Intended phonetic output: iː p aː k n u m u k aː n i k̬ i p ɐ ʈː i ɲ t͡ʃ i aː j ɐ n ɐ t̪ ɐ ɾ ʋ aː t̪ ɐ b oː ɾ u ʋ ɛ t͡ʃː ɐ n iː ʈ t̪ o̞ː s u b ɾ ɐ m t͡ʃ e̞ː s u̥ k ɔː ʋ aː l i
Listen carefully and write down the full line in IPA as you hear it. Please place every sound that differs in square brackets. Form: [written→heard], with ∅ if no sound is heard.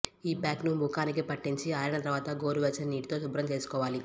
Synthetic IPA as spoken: iː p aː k n u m u k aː n i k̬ i p ɐ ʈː i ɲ t͡ʃ i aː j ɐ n ɐ t̪ ɐ ɾ ʋ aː t̪ ɐ [b→ɡ] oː ɾ u ʋ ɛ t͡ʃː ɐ n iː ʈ t̪ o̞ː s u b ɾ ɐ m t͡ʃ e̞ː s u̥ k ɔː ʋ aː l i